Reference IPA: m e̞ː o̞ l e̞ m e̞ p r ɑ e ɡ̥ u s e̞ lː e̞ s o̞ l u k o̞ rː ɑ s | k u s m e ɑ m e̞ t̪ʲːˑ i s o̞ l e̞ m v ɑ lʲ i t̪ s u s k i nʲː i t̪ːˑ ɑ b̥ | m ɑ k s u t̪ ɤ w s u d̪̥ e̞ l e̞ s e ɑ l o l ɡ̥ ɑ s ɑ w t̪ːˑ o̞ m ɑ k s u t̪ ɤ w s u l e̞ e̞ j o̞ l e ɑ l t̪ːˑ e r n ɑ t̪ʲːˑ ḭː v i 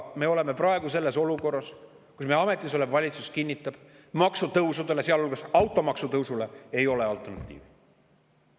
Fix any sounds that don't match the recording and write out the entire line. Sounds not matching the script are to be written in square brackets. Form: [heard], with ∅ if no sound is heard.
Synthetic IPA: m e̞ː o̞ l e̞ m e̞ p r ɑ e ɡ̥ u s e̞ lː e̞ s o̞ l u k o̞ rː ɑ s | k u s m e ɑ m e̞ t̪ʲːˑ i s o̞ l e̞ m v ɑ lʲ i t̪ s u s k i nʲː i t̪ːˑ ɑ b̥ | m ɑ k s u t̪ ɤ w s u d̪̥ e̞ l e̞ s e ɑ l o l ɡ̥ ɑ s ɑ w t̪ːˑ o̞ m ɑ k s u t̪ ɤ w s u l e̞ e̞ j o̞ l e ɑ l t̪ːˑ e r n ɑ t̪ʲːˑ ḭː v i